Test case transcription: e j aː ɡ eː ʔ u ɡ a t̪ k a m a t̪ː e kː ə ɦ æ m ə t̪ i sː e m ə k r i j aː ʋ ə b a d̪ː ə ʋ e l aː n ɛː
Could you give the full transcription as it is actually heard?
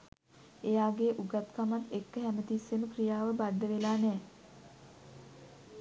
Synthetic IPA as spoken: e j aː ɡ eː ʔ u ɡ a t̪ k a m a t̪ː e kː ə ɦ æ m ə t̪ i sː e m ə k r i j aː ʋ ə b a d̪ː ə ʋ e l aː n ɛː